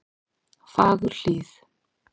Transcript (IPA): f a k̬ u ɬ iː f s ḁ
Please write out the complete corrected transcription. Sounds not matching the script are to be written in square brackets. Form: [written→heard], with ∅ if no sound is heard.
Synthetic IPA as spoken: f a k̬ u ɬ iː [f→∅] s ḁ